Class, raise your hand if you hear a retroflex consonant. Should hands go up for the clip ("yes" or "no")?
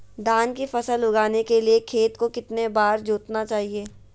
no